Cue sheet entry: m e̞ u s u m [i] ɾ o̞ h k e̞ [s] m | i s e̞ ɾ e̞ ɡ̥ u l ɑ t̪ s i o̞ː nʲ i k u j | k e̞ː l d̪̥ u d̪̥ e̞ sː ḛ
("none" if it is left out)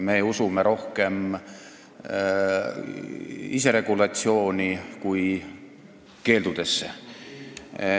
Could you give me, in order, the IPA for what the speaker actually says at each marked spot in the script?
e, none

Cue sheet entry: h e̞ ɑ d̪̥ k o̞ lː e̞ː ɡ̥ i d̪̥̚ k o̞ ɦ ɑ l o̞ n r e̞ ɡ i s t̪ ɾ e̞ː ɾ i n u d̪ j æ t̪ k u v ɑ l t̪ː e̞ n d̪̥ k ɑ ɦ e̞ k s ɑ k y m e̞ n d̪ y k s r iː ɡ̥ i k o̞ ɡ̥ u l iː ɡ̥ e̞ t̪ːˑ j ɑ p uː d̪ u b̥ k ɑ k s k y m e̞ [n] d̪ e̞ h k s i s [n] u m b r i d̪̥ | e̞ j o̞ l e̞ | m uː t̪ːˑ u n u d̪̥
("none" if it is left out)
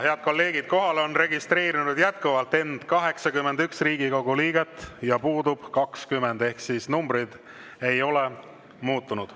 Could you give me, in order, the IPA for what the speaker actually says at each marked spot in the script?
n, n

